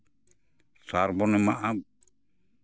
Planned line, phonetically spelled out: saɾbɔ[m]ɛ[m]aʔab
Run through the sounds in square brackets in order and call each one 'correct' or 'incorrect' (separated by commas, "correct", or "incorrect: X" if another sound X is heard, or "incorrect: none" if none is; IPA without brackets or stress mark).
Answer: incorrect: n, correct